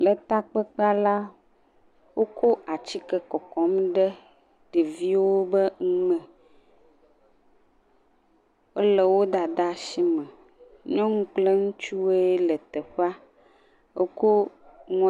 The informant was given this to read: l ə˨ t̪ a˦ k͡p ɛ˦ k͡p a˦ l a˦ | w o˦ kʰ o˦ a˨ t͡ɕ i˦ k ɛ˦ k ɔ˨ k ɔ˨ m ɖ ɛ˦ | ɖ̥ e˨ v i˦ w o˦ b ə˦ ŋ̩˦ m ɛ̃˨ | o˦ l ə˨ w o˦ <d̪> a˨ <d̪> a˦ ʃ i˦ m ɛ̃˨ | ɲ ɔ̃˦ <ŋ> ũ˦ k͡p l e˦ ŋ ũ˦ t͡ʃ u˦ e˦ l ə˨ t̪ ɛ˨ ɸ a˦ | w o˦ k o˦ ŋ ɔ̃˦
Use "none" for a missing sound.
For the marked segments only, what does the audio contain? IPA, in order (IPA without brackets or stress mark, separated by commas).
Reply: d̪, d̪, ŋ